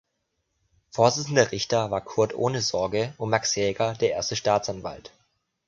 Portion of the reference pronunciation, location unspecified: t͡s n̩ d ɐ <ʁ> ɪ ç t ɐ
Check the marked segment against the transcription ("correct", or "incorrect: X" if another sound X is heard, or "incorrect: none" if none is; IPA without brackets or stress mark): correct